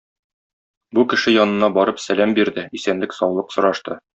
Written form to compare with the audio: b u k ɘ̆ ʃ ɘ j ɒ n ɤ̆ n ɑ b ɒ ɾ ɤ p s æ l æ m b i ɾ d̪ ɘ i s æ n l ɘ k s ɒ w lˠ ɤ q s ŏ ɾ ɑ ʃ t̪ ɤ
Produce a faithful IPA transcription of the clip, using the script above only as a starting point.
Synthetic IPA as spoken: b u k ɘ̆ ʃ ɘ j ɒ n ɤ̆ n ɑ b ɒ ɾ ɤ p s æ l æ m b i ɾ d̪ ɘ i s æ n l ɘ k s ɒ w lˠ ɤ q s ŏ ɾ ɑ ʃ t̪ ɤ